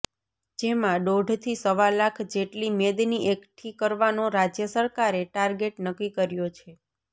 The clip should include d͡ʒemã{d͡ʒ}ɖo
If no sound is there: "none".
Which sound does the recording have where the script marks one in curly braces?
none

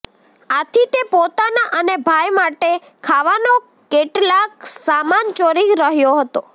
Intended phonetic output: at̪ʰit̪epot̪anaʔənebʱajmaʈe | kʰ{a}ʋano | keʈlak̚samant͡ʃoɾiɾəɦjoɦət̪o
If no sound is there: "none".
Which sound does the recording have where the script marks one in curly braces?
a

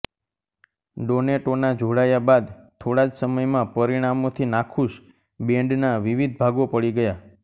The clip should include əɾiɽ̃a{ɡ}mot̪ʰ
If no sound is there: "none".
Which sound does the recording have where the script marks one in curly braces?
none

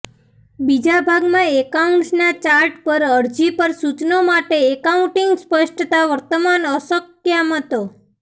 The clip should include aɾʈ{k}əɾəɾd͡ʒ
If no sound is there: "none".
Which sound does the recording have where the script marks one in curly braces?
p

